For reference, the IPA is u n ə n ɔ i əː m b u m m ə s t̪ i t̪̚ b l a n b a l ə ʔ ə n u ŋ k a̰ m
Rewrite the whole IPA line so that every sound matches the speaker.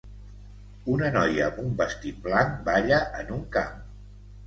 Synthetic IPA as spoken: u n ə n ɔ j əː m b u m b ə s t̪ i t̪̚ b l a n b a ʎ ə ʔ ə n u ŋ k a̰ m